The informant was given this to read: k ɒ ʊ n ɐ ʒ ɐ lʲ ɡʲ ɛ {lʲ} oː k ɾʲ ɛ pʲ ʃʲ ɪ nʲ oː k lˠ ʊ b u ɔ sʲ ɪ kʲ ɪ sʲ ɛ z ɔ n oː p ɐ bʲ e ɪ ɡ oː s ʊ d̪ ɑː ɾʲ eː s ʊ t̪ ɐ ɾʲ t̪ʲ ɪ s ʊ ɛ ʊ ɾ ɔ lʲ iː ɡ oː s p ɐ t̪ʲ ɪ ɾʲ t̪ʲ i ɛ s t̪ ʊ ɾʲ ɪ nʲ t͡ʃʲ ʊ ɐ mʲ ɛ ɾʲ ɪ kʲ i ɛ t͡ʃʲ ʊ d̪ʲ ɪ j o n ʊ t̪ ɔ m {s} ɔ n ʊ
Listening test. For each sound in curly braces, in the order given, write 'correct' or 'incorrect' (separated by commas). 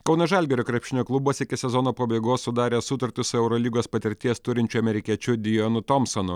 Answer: incorrect, correct